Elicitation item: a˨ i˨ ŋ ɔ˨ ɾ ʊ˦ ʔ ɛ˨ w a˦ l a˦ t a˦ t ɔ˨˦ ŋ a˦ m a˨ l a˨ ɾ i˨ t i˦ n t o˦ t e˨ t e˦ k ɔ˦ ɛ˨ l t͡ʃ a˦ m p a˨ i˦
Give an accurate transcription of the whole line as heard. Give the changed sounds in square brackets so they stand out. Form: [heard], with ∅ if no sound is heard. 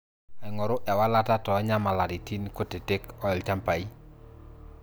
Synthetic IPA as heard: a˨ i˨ ŋ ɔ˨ ɾ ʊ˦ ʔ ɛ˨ w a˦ l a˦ t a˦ t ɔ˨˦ [ɲ] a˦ m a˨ l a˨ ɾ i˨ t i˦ n [k] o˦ t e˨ t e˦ k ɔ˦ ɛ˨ l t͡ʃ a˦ m p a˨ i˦